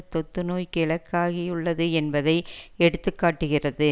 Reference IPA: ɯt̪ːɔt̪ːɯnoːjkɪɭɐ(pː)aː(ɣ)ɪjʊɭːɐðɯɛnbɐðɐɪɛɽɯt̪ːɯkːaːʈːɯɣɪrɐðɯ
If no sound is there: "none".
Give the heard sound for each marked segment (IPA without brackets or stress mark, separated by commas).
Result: kː, ɣ